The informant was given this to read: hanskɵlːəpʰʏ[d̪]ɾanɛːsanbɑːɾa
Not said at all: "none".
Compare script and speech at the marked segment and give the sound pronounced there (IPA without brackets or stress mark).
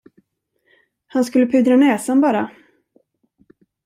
d̪